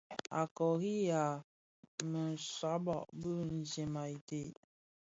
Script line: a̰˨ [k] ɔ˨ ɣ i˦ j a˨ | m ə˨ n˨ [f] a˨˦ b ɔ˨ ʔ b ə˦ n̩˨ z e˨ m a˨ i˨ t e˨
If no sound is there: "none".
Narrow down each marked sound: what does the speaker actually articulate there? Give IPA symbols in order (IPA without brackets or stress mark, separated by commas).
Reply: k, s